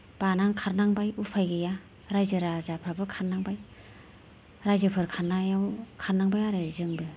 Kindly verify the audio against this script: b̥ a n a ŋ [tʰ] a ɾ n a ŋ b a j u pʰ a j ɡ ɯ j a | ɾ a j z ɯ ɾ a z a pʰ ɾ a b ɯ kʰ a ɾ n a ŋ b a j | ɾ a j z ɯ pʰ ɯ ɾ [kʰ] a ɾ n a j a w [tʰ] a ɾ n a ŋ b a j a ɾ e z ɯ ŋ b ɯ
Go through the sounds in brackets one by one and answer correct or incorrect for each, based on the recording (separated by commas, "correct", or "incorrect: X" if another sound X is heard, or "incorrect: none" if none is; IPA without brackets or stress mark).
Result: incorrect: kʰ, correct, incorrect: kʰ